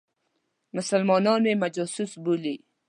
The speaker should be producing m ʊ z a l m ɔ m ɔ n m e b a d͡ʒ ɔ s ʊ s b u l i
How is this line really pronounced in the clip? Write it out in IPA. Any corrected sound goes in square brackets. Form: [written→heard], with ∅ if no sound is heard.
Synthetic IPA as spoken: m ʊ [z→s] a l m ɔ [m→n] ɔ n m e [b→m] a d͡ʒ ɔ s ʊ s b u l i